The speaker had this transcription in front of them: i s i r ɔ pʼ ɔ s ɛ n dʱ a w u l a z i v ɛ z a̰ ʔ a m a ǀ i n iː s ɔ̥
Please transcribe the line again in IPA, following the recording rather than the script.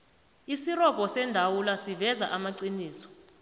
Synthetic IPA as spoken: i s i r ɔ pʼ ɔ s ɛ n dʱ a w u l a s i v ɛ z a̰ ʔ a m a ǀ i n iː s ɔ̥

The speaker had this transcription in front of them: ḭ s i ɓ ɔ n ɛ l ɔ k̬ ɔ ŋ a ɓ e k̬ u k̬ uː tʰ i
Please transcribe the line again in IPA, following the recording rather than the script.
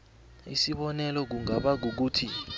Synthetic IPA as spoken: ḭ s i ɓ ɔ n ɛ l ɔ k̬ u ŋ a ɓ a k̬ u k̬ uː tʰ i

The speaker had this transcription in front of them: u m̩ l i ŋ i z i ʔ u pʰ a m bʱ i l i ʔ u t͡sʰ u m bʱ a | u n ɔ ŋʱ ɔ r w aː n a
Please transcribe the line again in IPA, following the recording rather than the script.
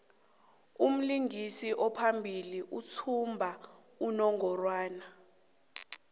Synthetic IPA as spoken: u m̩ l i ŋ i s i ʔ ɔ pʰ a m bʱ i l i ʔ u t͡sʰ u m bʱ a | u n ɔ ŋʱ ɔ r w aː n a

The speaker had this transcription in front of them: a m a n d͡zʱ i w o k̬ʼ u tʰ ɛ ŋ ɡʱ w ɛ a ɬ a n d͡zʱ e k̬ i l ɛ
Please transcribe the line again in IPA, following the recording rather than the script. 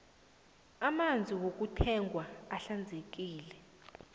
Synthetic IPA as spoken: a m a n d͡zʱ i w o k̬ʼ u tʰ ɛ ŋ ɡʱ w a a ɬ a n d͡zʱ e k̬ iː l ɛ

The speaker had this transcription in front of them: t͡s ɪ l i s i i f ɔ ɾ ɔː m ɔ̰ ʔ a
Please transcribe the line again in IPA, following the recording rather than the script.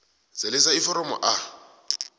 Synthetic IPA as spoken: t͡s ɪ l ɪ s a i f ɔ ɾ ɔ m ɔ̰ ʔ a

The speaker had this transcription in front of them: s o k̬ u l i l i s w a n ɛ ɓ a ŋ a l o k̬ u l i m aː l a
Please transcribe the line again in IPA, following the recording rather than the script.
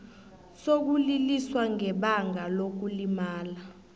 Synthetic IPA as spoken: s o k̬ u l i l i s w a ŋ ɛ ɓ a ŋ a l o k̬ u l i m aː l a

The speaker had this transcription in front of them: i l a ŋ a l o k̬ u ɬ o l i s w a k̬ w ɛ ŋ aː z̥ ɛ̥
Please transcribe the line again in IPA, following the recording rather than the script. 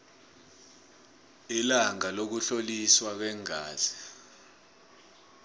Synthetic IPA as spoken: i l a ŋ a l o k̬ u ɬ o l i s w a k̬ w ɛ ŋ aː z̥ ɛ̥

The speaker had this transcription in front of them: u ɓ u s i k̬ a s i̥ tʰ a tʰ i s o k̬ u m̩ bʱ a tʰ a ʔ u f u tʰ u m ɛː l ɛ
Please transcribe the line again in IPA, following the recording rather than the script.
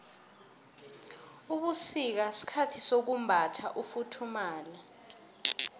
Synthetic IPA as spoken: u ɓ u s i k̬ a s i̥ kʰ a tʰ i s o k̬ u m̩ bʱ a tʰ a ʔ u f u tʰ u m aː l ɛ

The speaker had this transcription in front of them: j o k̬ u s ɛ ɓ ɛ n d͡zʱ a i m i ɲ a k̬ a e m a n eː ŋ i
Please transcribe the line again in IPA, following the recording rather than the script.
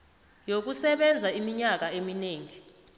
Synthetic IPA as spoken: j o k̬ u s ɛ ɓ ɛ n d͡zʱ a i m i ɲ a k̬ a e m i n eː ŋ i

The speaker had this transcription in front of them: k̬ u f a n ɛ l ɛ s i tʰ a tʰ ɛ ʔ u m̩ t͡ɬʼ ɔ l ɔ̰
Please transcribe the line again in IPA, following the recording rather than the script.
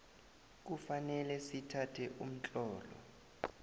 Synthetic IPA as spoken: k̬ u f a n ɛ l ɛ s i tʰ a tʰ ɛ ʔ u m̩ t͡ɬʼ ɔː l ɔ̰

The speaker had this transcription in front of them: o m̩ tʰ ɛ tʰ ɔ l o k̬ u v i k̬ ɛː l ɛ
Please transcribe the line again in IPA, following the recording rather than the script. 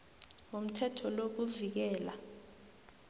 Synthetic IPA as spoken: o m̩ tʰ ɛ tʰ ɔ l o k̬ u v i k̬ ɛː l a

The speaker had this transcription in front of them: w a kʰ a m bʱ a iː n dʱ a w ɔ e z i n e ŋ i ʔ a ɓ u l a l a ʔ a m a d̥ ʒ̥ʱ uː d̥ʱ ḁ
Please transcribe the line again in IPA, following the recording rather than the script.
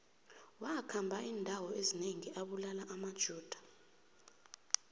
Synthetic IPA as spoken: w a kʰ a m bʱ a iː n dʱ a w ɔ e z i n e ŋ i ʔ a ɓ u l a l a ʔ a m a d̥ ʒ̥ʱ uː d̥ʱ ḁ

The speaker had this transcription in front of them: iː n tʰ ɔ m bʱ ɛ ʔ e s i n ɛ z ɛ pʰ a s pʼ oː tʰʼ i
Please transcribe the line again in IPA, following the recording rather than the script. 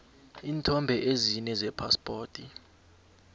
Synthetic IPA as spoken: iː n tʰ ɔ m bʱ ɛ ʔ e z i n ɛ z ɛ pʰ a s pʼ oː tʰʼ i

